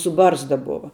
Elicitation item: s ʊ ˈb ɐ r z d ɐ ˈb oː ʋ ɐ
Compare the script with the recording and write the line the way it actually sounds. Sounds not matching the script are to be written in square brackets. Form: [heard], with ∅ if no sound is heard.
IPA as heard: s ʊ ˈb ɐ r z d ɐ ˈb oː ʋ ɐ